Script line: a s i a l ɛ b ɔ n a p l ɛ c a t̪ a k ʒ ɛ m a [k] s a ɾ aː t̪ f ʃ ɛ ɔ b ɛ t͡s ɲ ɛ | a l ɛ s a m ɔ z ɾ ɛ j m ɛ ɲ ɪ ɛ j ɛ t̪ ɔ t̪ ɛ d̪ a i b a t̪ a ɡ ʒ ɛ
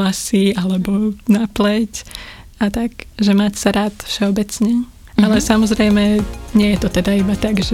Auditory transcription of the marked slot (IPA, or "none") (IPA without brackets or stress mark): c